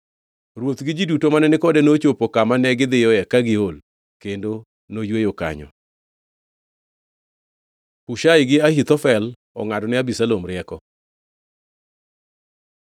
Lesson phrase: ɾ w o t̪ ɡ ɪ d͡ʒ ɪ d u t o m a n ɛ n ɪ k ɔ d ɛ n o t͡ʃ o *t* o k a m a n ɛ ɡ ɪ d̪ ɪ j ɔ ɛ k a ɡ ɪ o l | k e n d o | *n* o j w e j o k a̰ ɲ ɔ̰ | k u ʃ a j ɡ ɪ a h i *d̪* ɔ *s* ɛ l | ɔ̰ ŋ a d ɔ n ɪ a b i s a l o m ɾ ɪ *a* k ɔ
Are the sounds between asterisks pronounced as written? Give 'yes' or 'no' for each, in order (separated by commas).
no, yes, no, no, no